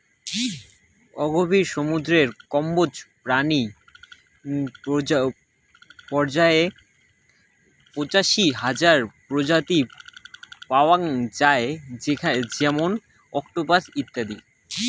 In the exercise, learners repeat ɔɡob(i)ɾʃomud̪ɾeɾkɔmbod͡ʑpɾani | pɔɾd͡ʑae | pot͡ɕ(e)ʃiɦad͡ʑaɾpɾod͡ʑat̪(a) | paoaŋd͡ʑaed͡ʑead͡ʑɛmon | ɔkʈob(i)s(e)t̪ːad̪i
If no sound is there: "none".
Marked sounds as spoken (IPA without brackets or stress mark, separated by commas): i, a, i, a, i